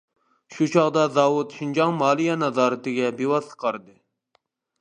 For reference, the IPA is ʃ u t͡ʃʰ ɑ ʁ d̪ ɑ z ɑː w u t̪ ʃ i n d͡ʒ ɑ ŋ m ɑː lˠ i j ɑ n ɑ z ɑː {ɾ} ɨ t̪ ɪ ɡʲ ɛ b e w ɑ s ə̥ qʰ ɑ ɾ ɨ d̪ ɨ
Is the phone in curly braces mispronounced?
no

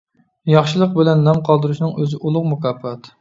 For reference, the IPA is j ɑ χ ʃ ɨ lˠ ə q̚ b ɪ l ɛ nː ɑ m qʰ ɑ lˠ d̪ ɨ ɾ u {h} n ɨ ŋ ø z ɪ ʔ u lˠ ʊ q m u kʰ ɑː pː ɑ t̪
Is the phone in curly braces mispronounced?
yes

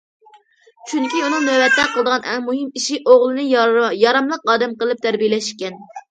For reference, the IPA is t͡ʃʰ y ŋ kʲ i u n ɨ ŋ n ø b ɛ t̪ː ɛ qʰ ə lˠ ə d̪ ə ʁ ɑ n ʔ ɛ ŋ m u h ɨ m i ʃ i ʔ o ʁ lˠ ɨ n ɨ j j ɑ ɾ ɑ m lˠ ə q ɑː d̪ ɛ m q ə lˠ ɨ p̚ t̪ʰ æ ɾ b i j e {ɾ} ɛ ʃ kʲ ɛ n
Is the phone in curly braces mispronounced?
yes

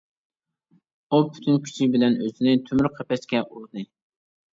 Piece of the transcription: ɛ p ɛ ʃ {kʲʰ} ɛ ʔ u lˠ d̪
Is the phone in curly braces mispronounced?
yes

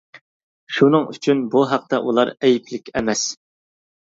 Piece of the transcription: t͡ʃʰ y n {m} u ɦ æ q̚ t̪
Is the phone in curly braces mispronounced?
yes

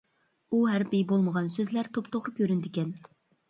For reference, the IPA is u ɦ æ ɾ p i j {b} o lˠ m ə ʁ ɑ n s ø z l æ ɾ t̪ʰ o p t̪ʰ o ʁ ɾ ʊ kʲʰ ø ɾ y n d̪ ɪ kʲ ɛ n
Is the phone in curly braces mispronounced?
no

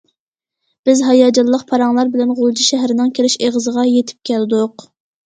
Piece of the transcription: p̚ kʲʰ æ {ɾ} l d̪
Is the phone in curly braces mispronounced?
yes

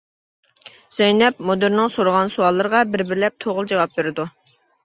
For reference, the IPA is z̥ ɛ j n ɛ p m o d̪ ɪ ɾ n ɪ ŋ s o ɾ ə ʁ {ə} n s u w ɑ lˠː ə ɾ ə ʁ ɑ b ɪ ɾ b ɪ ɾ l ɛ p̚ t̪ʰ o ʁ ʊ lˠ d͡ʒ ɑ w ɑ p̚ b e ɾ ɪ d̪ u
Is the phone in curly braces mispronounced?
yes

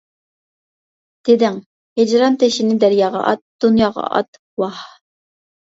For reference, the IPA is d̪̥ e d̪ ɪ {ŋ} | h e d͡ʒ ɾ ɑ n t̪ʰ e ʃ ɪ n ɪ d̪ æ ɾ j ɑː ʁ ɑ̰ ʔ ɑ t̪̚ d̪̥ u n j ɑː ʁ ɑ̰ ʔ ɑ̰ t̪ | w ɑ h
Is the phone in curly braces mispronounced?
no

